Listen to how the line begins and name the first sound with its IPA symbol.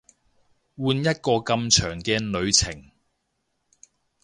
w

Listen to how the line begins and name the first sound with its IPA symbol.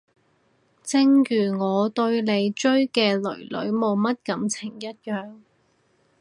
t͡s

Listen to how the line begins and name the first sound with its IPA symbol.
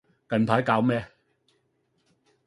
k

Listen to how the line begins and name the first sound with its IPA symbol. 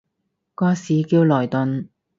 k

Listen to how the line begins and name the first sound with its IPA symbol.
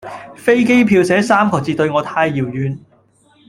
f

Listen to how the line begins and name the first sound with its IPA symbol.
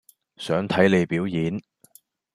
s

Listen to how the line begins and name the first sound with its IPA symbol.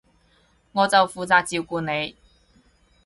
ŋ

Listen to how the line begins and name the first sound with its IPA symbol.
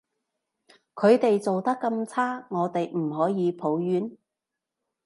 kʰ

